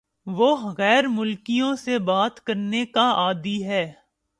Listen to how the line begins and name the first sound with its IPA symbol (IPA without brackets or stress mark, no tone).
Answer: ʋ